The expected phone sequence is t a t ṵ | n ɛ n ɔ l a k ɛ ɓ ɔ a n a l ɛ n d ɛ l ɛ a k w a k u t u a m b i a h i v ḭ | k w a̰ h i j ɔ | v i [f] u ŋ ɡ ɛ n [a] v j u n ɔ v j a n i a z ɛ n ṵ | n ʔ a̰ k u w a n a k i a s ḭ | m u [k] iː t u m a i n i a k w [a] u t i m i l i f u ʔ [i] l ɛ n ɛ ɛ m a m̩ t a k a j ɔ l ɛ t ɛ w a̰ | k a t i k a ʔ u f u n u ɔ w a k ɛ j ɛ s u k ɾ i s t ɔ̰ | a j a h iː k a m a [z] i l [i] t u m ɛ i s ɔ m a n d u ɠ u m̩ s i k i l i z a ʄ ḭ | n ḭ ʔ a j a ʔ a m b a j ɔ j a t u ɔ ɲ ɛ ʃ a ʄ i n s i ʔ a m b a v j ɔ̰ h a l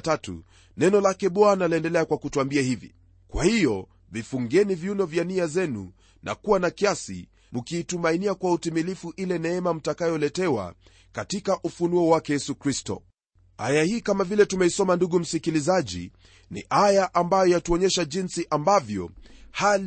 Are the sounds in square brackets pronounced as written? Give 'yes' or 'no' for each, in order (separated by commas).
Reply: yes, no, yes, yes, yes, no, no